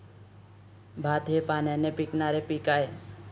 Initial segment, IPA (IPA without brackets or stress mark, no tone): bʱ